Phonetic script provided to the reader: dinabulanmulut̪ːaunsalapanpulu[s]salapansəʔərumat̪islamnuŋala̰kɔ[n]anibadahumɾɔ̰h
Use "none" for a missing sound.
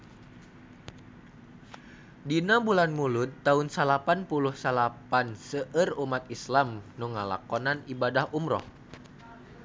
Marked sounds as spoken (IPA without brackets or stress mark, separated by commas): h, n